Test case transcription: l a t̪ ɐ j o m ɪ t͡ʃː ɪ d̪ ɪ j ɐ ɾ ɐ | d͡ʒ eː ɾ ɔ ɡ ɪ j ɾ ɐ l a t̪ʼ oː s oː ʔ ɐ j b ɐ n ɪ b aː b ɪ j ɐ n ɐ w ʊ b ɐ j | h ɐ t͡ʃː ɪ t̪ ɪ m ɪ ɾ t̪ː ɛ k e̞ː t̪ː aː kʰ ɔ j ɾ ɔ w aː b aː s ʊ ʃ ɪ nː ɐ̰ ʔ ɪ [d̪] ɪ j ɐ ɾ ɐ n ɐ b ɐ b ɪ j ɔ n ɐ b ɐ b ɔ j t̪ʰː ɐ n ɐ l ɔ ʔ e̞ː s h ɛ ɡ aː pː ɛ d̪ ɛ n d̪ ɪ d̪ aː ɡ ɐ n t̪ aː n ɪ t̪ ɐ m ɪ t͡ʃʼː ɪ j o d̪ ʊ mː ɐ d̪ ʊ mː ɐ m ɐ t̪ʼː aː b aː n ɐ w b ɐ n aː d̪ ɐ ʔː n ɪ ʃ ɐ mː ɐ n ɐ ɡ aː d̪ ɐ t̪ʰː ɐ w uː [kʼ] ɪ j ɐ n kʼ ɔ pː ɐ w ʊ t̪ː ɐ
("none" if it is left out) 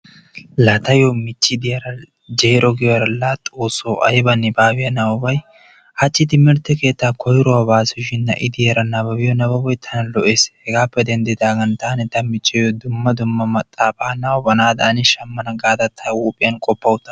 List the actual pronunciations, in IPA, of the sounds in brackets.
d̪, pʼ

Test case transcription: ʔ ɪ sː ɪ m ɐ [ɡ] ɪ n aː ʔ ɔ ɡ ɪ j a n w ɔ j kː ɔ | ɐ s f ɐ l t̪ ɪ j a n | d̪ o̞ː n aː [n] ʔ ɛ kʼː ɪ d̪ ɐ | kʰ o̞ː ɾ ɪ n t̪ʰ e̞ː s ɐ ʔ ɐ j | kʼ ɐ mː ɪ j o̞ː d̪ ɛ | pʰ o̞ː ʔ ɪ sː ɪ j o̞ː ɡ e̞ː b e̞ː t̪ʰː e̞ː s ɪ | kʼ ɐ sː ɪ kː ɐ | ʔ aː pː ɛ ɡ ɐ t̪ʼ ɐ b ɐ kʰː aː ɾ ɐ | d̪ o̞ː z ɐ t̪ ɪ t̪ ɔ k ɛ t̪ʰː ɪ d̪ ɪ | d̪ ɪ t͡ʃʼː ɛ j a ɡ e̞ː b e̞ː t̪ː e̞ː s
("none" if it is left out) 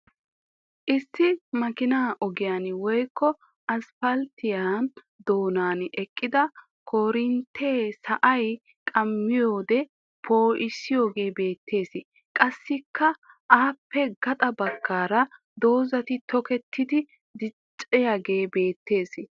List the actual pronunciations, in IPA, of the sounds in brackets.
k, n

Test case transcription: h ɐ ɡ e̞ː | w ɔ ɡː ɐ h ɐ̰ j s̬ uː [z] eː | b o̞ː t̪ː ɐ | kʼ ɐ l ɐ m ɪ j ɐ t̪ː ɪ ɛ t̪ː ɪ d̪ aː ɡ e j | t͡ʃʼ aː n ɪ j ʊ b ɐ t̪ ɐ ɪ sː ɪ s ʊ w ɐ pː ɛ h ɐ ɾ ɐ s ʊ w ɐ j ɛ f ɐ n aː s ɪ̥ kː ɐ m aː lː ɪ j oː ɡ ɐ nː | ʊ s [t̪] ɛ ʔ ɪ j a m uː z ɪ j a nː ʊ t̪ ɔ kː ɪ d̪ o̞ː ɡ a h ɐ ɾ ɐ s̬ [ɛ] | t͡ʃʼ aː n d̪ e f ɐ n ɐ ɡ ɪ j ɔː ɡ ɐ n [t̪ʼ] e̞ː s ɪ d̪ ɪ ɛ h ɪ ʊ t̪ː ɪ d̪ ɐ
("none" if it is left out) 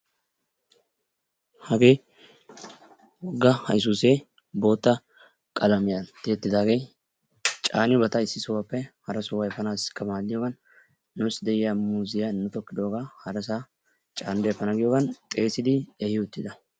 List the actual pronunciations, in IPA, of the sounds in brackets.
s, d̪, a, t̪ʼ

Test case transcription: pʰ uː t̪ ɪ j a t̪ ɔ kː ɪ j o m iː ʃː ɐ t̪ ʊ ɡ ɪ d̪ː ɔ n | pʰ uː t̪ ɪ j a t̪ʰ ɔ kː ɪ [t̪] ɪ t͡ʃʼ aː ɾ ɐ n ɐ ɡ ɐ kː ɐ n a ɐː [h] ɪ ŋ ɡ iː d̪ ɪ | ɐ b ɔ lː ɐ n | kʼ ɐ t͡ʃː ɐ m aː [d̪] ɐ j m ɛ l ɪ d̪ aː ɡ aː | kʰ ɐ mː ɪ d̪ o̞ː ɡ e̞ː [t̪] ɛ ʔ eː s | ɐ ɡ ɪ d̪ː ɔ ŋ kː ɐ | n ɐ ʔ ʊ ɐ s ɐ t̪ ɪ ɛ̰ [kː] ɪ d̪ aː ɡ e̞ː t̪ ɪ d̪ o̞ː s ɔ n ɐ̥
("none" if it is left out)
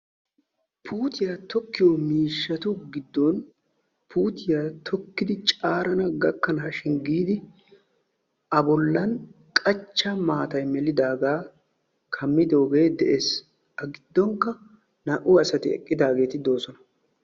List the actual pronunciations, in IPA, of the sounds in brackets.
d̪, ʃ, t̪, d̪, kʼː

